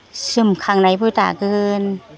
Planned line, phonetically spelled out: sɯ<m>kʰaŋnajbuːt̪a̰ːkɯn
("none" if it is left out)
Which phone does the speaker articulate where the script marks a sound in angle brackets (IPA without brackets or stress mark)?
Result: m